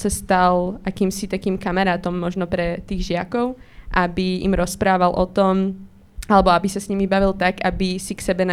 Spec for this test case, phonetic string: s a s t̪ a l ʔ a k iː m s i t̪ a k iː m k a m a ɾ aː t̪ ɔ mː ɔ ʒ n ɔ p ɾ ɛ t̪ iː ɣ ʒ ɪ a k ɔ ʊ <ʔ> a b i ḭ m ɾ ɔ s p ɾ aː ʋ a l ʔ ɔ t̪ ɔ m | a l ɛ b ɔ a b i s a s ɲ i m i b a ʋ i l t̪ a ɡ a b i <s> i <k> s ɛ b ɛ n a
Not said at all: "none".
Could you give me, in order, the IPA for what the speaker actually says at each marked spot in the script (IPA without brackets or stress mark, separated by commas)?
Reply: ʔ, s, k